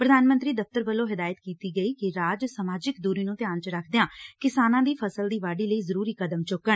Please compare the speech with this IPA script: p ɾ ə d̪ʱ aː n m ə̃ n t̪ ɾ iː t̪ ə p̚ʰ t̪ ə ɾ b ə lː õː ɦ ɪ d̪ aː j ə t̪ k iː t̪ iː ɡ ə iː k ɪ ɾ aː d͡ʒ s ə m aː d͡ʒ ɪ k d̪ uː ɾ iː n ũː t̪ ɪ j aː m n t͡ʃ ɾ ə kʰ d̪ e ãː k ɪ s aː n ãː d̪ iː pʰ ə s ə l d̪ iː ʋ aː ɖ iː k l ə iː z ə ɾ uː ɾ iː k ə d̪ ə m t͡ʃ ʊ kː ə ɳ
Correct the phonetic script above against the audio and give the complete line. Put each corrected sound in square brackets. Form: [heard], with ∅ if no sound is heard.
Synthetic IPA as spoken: p ɾ ə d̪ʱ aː n m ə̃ n t̪ ɾ iː [d̪] ə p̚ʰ t̪ ə ɾ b ə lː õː ɦ ɪ d̪ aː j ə t̪ k iː t̪ iː ɡ ə iː k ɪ ɾ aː d͡ʒ s ə m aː d͡ʒ ɪ k d̪ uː ɾ iː n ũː t̪ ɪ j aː [∅] n t͡ʃ ɾ ə kʰ d̪ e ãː k ɪ s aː n ãː d̪ iː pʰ ə s ə l d̪ iː ʋ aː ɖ iː [∅] l ə iː z ə ɾ uː ɾ iː k ə d̪ ə m t͡ʃ ʊ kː ə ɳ